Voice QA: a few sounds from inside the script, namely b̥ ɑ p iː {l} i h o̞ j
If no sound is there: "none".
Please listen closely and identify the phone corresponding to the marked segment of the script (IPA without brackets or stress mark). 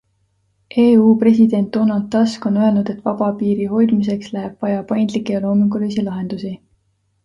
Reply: ɾ